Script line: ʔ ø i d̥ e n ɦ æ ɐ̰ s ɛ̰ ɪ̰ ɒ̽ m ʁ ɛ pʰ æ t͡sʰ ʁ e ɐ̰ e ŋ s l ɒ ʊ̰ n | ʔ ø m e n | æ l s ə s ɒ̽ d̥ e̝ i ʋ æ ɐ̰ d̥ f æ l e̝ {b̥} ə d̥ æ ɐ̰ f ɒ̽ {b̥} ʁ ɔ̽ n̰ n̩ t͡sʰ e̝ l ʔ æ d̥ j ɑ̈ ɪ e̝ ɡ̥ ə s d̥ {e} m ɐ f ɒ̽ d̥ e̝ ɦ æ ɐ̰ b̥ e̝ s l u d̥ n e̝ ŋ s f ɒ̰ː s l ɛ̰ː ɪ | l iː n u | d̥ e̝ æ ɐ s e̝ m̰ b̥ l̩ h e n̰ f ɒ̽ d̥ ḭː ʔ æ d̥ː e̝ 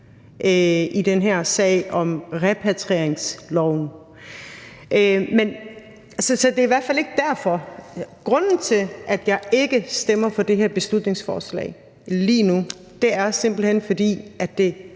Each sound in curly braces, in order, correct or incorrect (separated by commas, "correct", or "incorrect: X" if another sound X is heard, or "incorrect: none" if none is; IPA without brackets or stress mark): incorrect: ɡ̥, incorrect: ɡ̥, correct